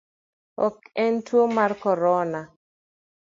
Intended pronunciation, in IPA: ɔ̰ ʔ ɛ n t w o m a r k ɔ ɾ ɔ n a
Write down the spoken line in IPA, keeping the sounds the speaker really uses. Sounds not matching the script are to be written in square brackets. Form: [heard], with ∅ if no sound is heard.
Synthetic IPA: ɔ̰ [k] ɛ n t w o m a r k ɔ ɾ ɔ n a

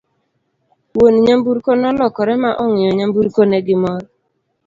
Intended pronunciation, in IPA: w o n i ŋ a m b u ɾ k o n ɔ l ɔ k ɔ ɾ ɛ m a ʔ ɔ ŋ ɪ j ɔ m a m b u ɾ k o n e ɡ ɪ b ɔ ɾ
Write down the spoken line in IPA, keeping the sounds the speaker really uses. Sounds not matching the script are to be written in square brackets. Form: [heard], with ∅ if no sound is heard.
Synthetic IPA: w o n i [ɲ] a m b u ɾ k o n ɔ l ɔ k ɔ ɾ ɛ m a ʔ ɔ ŋ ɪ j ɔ [ɲ] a m b u ɾ k o n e ɡ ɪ [m] ɔ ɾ

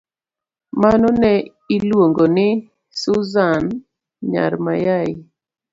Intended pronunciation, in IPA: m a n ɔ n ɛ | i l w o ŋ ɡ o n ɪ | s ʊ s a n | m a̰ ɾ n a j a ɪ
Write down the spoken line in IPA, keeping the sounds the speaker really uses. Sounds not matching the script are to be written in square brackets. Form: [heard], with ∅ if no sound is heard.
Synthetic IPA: m a n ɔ n ɛ | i l w o ŋ ɡ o n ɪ | s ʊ [z] a n | [ɲ] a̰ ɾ [m] a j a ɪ

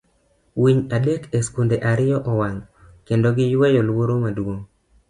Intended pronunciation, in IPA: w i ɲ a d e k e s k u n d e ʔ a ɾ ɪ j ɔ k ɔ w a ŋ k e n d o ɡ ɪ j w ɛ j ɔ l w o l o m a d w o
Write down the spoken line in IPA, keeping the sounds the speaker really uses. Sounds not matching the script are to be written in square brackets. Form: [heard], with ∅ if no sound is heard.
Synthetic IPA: w i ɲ a d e k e s k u n d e ʔ a ɾ ɪ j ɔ [ʔ] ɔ w a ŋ k e n d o ɡ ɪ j w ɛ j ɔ l w o [ɾ] o m a d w o

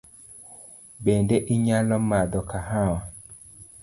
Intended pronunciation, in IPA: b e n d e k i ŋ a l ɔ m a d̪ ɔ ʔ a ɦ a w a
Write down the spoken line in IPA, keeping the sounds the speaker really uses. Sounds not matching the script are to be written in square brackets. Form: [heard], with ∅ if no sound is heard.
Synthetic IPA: b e n d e [ʔ] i [ɲ] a l ɔ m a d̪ ɔ [k] a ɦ a w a

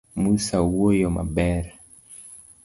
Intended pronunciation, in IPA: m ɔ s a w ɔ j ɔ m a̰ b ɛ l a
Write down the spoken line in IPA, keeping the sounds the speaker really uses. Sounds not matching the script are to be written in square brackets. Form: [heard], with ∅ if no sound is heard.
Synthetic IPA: m [u] s a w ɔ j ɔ m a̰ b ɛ [ɾ] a

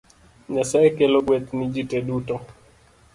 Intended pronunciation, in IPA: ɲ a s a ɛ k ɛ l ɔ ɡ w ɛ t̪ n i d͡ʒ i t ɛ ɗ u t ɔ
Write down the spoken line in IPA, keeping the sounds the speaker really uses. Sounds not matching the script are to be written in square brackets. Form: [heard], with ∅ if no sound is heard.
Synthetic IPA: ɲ a s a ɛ k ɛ l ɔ ɡ w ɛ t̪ n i d͡ʒ i t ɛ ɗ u t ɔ

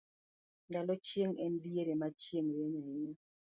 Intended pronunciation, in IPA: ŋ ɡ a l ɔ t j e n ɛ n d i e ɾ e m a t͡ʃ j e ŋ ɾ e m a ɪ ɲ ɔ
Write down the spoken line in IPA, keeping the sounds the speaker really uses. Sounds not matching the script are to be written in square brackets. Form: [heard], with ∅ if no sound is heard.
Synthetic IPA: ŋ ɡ a l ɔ [t͡ʃ] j e [ŋ] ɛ n d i e ɾ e m a t͡ʃ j e ŋ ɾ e [ɲ] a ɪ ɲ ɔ

